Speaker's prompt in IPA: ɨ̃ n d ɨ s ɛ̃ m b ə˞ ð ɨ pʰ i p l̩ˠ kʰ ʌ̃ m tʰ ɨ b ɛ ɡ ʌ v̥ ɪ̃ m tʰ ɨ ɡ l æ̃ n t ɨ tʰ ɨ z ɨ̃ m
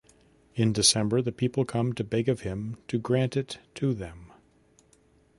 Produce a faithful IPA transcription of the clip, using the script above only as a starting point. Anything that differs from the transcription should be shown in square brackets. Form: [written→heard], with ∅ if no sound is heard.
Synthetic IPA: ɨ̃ n d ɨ s ɛ̃ m b ə˞ ð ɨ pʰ i p l̩ˠ kʰ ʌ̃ m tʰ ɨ b ɛ ɡ ʌ v̥ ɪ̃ m tʰ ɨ ɡ [l→ɹ] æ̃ n t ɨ tʰ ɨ [z→ð] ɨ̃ m